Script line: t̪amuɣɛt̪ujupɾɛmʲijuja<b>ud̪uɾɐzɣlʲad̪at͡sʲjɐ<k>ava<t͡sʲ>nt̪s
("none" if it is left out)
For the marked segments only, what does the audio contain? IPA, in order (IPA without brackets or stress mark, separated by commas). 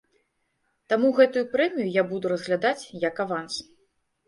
b, k, none